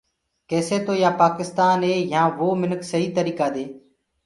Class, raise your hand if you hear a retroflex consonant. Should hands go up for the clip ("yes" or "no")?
no